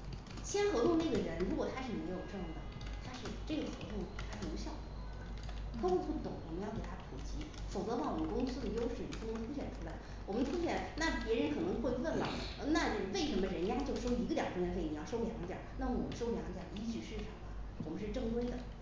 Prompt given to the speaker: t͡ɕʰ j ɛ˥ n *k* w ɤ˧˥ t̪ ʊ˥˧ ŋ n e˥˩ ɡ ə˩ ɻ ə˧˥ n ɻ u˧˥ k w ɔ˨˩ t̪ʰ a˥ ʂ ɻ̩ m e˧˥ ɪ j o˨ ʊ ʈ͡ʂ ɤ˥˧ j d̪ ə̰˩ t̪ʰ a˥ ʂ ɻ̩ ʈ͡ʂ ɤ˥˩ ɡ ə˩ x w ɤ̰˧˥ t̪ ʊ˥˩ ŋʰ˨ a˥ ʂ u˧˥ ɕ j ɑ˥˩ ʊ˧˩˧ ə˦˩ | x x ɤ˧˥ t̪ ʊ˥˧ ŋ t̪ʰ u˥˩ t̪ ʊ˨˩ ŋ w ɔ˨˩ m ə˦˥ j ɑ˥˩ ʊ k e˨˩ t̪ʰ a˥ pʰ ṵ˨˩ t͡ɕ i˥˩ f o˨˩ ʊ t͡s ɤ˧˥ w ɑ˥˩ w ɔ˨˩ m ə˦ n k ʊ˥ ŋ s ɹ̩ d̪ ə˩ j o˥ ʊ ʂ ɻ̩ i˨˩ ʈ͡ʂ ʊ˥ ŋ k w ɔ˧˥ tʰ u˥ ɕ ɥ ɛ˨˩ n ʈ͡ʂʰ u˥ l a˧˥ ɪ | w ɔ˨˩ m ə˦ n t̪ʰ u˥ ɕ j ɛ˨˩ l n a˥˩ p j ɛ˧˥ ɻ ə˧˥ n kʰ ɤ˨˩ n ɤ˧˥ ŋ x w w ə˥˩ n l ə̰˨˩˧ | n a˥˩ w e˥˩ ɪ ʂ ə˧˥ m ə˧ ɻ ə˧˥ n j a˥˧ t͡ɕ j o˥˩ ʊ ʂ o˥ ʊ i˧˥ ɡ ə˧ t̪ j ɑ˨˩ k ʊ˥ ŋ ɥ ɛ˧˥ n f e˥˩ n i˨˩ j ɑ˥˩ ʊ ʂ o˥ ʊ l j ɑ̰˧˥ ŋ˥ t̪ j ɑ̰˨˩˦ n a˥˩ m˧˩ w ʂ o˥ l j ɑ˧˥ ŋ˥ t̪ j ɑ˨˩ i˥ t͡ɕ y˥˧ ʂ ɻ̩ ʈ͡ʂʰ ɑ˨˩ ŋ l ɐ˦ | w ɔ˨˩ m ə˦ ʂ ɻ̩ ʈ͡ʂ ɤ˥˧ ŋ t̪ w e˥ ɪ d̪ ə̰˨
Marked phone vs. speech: incorrect: x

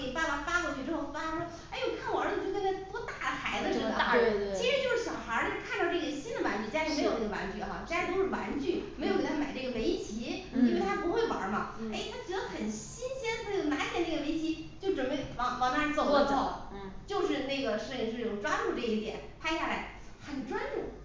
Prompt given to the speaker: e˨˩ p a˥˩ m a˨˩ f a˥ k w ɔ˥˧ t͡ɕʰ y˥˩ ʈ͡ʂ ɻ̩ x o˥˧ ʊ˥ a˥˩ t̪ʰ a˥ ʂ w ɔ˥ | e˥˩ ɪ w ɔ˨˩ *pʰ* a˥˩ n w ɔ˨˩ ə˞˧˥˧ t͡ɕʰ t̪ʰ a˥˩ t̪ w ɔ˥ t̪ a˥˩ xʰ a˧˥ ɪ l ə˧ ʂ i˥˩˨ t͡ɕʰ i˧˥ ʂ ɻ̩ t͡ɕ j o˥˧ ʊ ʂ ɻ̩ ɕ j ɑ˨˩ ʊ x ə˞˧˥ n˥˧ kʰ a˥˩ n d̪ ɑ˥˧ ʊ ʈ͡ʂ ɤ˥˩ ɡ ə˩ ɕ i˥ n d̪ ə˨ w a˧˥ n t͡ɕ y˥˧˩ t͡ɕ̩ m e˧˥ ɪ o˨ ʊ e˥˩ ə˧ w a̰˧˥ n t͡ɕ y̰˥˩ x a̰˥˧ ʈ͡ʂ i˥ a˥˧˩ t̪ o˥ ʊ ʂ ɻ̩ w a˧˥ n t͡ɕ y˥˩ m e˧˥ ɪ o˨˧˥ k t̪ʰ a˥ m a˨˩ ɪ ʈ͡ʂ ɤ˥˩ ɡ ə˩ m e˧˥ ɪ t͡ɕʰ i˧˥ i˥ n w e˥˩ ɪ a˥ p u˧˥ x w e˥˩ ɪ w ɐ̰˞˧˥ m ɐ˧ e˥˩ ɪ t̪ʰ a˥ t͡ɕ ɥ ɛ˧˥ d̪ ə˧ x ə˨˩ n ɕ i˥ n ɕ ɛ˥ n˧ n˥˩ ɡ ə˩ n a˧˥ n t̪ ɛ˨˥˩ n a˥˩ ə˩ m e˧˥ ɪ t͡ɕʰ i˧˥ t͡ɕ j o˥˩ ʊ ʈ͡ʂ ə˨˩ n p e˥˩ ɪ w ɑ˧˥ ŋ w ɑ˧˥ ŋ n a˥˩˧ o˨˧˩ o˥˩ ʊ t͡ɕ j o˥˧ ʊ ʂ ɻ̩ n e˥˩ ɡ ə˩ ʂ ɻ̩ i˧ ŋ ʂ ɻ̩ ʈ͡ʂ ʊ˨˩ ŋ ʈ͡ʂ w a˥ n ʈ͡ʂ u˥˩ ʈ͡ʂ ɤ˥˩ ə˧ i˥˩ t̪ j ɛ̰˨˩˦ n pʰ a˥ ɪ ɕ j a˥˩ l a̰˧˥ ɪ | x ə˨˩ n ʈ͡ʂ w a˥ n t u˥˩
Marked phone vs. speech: incorrect: kʰ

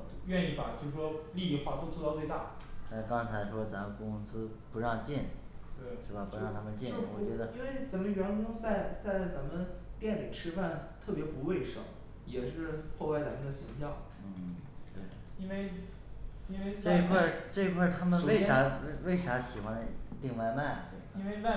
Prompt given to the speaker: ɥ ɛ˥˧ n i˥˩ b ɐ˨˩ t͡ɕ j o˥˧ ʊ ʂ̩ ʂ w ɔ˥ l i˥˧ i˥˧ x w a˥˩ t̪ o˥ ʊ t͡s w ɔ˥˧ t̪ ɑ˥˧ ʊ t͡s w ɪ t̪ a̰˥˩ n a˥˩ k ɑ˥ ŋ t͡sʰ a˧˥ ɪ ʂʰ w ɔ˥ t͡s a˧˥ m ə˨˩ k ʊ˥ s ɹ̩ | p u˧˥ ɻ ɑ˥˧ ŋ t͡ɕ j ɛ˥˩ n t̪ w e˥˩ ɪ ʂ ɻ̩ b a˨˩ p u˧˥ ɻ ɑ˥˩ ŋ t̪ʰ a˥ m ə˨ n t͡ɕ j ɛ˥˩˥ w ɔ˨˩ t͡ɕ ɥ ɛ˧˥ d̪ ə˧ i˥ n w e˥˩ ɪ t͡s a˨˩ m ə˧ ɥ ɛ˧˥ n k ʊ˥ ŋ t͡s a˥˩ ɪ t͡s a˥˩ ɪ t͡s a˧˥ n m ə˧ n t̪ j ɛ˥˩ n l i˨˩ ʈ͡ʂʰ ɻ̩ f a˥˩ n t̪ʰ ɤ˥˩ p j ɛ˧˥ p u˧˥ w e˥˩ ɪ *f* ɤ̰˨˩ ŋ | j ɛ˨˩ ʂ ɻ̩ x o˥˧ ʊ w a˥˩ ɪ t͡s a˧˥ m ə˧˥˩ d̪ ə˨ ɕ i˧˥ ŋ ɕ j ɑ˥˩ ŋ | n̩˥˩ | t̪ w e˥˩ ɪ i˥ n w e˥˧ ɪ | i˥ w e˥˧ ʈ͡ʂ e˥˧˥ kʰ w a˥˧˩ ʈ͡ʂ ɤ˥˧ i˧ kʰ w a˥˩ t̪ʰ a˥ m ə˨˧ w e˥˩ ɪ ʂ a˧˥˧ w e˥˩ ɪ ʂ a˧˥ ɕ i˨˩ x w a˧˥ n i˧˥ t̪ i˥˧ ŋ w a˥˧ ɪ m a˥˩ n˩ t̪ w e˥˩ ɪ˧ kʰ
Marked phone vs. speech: incorrect: ʂ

